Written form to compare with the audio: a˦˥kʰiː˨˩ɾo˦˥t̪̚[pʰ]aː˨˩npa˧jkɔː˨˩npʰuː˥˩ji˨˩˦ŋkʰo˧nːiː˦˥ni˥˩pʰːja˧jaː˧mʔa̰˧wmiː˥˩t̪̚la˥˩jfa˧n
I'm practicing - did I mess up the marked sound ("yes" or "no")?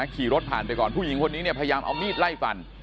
no